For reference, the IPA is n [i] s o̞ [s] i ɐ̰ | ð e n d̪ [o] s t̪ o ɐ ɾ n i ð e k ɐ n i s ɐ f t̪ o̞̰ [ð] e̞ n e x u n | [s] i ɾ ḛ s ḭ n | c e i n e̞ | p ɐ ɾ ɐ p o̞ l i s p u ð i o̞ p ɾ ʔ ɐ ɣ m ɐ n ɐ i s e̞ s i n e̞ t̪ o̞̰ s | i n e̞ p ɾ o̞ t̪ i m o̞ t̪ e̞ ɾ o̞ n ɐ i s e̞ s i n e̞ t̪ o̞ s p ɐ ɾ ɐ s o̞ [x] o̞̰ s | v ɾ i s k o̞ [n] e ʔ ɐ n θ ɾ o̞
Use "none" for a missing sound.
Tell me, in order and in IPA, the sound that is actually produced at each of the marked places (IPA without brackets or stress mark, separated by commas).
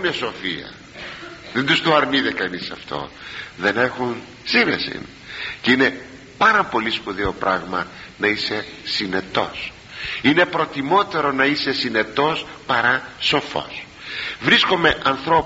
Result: e, f, u, ð, s, f, m